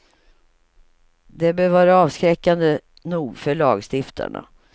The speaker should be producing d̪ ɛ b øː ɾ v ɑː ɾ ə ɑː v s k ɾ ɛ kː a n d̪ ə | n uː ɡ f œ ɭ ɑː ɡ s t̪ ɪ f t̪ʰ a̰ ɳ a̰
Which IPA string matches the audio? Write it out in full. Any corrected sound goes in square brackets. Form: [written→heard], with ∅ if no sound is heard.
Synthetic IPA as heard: d̪ ɛ b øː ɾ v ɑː ɾ [ə→a] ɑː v s k ɾ ɛ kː a n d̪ ə | n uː ɡ f œ ɭ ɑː ɡ s t̪ ɪ f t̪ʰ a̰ ɳ a̰